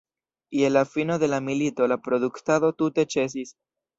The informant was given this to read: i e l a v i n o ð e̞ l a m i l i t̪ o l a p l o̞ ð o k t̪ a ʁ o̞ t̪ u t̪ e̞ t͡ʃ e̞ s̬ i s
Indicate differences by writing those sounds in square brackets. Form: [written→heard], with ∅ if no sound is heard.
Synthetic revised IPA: i e l a [v→f] i n o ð e̞ l a m i l i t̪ o l a p [l→ɾ] o̞ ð [o→u] k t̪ a [ʁ→ð] o̞ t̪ u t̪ e̞ t͡ʃ e̞ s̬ i s